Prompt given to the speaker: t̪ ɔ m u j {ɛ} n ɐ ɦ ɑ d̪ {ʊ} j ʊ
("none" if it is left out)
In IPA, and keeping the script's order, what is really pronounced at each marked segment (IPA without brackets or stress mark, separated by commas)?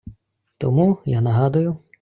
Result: a, ʊ